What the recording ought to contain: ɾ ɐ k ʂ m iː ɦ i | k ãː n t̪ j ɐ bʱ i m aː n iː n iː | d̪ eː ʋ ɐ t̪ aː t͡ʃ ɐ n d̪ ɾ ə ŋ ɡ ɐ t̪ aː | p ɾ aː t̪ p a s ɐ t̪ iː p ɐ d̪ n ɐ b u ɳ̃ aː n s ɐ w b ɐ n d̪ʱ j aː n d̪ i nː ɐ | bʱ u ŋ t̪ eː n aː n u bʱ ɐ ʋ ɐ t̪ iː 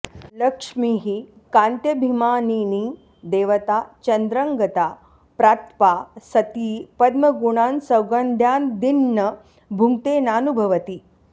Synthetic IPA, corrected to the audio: l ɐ k ʂ m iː ɦ i | k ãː n t̪ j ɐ bʱ i m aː n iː n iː | d̪ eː ʋ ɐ t̪ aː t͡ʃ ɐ n d̪ ɾ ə ŋ ɡ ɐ t̪ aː | p ɾ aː t̪ p a s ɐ t̪ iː p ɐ d̪ m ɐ ɡ u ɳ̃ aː n s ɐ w ɡ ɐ n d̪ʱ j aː n d̪ i nː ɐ | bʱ u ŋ t̪ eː n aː n u bʱ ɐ ʋ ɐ t̪ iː